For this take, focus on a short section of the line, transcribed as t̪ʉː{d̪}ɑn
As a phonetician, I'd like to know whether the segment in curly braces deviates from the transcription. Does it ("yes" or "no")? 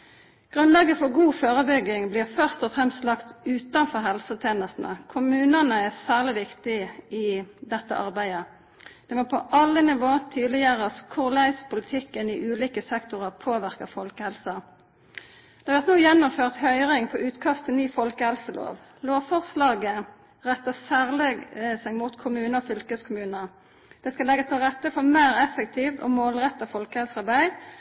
yes